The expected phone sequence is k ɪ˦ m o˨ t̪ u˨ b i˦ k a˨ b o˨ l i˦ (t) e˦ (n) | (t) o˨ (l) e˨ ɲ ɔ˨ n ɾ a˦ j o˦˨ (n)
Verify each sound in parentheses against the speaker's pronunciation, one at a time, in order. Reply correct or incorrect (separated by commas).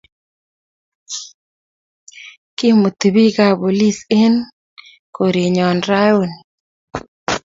incorrect, correct, incorrect, incorrect, correct